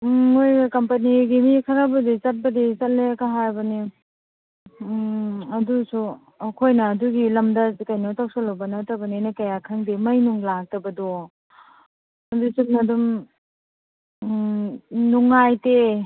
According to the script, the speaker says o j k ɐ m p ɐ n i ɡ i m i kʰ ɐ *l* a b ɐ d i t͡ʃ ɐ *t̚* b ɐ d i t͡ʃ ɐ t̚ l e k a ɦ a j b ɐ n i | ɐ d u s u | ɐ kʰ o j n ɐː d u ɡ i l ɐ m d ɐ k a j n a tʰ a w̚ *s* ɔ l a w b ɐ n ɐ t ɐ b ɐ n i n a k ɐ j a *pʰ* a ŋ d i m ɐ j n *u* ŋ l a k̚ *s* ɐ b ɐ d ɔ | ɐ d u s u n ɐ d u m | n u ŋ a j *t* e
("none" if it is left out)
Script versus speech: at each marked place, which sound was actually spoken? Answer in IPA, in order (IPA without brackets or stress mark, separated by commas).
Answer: ɾ, t̚, s, kʰ, u, t, t